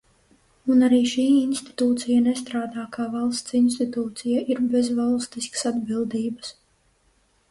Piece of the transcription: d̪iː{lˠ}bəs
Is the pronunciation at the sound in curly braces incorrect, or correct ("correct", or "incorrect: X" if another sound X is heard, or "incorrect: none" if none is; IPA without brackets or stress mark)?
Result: incorrect: none